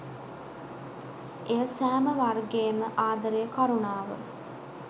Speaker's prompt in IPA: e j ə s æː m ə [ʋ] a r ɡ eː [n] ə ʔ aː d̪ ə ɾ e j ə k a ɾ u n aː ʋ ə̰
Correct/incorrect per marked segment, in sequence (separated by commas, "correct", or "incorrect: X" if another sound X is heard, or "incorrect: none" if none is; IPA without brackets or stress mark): correct, incorrect: m